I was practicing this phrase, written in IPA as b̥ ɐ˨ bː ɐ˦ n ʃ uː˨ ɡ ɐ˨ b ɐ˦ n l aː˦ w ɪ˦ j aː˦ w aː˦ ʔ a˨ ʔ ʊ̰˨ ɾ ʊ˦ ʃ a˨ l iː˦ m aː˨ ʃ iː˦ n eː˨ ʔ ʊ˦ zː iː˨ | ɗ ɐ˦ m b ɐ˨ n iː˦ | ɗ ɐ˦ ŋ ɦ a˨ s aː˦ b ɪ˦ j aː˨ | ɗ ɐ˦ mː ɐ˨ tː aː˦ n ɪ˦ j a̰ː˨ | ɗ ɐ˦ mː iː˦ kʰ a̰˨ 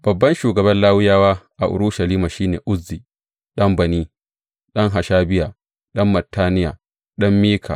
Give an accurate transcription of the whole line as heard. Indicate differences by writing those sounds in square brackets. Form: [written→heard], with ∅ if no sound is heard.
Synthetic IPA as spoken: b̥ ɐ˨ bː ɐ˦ n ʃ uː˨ ɡ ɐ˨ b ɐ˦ n l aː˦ w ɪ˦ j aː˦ w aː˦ ʔ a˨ ʔ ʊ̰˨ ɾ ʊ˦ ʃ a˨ l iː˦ m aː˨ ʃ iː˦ n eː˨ ʔ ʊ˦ zː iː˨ | ɗ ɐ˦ m b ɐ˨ n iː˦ | ɗ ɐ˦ ŋ ɦ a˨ [s→ʃ] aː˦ b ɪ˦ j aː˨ | ɗ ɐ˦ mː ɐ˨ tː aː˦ n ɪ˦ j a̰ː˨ | ɗ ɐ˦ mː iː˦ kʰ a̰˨